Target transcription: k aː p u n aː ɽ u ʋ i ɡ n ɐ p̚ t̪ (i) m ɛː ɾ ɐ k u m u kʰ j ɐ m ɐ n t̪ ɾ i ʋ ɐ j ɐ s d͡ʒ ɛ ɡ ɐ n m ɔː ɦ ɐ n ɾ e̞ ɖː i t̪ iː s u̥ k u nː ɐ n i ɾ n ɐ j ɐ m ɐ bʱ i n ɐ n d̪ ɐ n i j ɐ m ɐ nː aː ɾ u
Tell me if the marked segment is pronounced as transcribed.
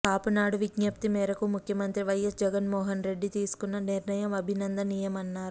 yes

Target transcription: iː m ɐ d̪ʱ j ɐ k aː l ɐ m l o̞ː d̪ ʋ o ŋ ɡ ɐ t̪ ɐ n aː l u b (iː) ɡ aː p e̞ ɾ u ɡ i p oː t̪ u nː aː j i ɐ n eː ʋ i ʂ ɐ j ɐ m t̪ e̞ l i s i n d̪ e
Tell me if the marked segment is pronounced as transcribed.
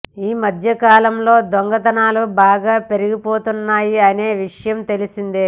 no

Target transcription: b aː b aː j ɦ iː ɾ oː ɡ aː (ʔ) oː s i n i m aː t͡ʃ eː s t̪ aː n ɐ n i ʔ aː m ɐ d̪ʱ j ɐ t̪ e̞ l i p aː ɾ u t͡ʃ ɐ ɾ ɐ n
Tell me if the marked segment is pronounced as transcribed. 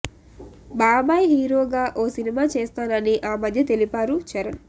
yes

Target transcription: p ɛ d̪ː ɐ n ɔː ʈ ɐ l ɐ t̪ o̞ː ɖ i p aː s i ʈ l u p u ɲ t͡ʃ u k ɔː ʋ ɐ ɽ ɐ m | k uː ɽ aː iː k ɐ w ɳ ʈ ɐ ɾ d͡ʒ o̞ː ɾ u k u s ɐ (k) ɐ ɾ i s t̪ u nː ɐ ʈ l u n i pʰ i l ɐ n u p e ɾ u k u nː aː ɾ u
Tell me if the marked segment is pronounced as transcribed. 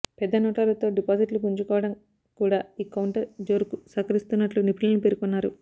yes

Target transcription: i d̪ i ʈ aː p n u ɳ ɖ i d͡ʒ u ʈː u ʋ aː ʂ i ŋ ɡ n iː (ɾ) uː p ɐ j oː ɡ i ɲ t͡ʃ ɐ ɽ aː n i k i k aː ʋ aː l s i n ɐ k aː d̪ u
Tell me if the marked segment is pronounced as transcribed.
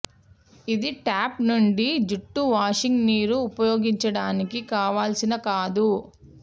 yes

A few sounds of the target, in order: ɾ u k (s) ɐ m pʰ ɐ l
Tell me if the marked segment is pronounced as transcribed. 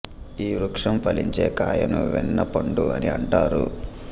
no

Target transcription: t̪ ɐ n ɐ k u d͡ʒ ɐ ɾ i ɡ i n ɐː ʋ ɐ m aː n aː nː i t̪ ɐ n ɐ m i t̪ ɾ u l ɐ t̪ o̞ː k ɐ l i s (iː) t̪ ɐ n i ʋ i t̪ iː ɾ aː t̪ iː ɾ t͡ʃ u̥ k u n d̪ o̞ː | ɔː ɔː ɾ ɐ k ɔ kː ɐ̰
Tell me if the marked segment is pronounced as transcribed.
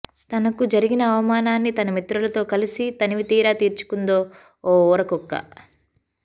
no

